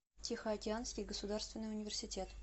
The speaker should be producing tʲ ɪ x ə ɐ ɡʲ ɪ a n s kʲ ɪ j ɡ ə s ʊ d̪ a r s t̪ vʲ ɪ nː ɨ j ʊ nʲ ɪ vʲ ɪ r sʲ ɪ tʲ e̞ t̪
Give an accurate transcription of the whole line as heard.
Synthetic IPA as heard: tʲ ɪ x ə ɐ kʲ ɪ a n s kʲ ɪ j ɡ ə s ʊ d̪ a r s t̪ vʲ ɪ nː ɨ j ʊ nʲ ɪ vʲ ɪ r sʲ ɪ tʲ e̞ t̪